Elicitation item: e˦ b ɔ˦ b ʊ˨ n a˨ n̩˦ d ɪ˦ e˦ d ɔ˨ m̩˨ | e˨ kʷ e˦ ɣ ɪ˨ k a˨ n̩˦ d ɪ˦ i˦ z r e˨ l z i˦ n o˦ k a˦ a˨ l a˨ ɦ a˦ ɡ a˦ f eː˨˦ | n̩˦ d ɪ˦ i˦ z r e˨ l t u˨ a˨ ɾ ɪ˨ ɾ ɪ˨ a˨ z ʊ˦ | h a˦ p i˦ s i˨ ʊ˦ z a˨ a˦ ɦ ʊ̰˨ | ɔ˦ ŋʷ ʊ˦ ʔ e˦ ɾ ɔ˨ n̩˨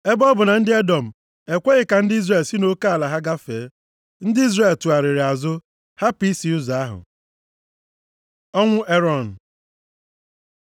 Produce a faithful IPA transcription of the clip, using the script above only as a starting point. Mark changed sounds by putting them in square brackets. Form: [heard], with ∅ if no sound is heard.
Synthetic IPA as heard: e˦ b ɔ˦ b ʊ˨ n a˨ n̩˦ d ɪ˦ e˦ d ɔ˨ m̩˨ | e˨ kʷ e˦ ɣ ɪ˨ k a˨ n̩˦ d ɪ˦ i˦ z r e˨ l [s] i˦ n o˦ k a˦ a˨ l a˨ ɦ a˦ ɡ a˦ f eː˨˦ | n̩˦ d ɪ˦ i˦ z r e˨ l t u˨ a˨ ɾ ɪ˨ ɾ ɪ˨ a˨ z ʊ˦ | h a˦ p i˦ s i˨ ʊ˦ z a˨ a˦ ɦ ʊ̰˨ | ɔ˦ ŋʷ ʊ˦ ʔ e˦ ɾ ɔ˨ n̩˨